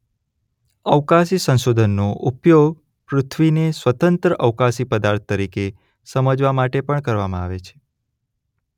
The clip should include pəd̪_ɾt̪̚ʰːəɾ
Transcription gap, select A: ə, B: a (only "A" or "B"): B